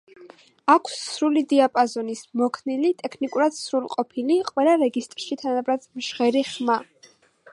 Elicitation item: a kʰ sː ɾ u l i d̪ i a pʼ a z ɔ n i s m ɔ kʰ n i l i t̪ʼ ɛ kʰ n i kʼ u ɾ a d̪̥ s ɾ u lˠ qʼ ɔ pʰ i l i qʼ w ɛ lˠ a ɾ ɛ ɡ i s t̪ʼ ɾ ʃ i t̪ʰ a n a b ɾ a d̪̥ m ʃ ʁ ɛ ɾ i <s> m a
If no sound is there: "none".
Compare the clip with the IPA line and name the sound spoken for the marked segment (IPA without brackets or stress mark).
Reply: χ